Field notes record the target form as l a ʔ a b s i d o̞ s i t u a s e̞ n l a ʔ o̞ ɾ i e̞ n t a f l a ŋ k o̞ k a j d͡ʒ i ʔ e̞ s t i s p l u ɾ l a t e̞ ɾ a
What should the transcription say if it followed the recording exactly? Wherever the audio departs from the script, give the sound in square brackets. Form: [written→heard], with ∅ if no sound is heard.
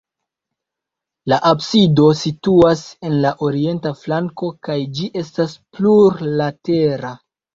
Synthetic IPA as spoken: l a ʔ a b s i d o̞ s i t u a s e̞ n l a ʔ o̞ ɾ i e̞ n t a f l a ŋ k o̞ k a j d͡ʒ i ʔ e̞ s t [i→a] s p l u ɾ l a t e̞ ɾ a